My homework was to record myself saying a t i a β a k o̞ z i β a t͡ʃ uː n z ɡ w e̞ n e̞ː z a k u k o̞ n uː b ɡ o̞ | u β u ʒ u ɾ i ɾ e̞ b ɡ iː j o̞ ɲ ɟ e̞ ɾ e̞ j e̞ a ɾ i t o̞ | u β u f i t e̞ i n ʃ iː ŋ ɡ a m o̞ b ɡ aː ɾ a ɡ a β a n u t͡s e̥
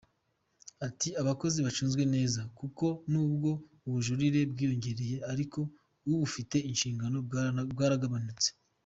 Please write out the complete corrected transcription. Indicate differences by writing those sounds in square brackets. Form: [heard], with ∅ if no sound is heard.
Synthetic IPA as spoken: a t i a β a k o̞ z i β a t͡ʃ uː n z ɡ w e̞ n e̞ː z a k u k o̞ n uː b ɡ o̞ | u β u ʒ u ɾ i ɾ e̞ b ɡ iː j o̞ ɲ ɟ e̞ ɾ e̞ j e̞ a ɾ i [k] o̞ | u β u f i t e̞ i n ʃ iː ŋ ɡ a [n] o̞ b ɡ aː ɾ a ɡ a β a n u t͡s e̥